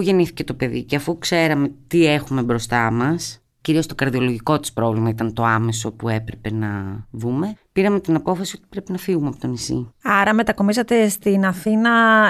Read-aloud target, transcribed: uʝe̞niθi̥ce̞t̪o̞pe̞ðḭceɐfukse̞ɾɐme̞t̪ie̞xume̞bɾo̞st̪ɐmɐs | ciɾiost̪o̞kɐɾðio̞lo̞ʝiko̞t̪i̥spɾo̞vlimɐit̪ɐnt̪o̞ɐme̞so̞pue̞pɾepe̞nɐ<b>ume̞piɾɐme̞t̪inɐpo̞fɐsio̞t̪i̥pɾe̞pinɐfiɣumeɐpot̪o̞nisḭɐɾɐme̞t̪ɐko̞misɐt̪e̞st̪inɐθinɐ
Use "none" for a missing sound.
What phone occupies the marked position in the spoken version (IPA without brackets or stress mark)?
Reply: v